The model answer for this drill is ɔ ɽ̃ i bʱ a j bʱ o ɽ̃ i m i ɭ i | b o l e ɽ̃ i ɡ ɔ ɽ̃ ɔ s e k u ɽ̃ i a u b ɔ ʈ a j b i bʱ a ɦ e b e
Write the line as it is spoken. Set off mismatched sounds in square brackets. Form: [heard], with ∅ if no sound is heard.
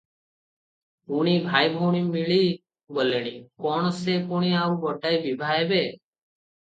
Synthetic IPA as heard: [u] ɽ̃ i bʱ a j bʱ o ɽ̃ i m i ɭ i | b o l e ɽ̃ i [k] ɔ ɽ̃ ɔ s e k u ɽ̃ i a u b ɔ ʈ a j b i bʱ a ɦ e b e